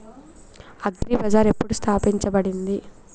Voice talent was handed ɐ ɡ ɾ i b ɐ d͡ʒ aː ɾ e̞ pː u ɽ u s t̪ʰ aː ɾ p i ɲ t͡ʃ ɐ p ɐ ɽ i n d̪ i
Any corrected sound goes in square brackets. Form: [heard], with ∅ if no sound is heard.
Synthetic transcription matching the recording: ɐ ɡ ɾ i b ɐ d͡ʒ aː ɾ e̞ pː u ɽ u s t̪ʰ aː [∅] p i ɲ t͡ʃ ɐ [b] ɐ ɽ i n d̪ i

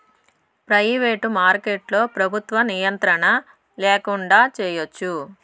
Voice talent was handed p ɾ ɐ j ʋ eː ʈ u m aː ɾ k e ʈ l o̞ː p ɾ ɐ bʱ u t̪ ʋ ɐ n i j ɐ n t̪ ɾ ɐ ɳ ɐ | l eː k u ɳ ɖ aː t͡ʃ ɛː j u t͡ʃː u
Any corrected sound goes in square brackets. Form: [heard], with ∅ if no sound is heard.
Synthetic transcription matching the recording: p ɾ ɐ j ʋ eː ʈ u m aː ɾ k e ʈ l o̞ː p ɾ ɐ bʱ u t̪ ʋ ɐ n i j ɐ n t̪ ɾ ɐ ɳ ɐ | l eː k u ɳ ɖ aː t͡ʃ ɛː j [o] t͡ʃː u

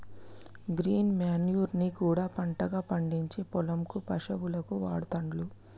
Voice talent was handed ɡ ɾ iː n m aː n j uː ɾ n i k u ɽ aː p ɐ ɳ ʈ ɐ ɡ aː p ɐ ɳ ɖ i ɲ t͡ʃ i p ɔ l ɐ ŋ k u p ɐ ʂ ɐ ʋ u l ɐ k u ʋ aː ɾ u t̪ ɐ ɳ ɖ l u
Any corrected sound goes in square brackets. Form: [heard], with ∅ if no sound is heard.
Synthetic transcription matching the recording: ɡ ɾ iː n m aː n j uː ɾ n i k [uː] ɽ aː p ɐ ɳ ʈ ɐ ɡ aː p ɐ ɳ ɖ i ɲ t͡ʃ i p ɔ l ɐ [m] k u p ɐ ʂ ɐ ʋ u l ɐ k u ʋ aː [ɽ] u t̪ ɐ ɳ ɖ l u

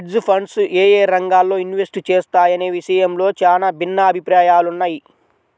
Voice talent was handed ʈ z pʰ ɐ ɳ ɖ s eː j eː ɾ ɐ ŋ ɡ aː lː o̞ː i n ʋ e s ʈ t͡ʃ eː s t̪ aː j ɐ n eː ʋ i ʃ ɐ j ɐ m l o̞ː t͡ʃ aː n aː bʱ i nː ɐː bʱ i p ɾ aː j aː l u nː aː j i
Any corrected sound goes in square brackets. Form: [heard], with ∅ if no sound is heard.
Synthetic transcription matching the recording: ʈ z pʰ ɐ ɳ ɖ s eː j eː ɾ ɐ ŋ ɡ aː lː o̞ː i n ʋ e s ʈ t͡ʃ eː s t̪ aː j ɐ n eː ʋ i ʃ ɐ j ɐ m l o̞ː t͡ʃ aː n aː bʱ i nː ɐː bʱ i p ɾ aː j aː l u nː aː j i

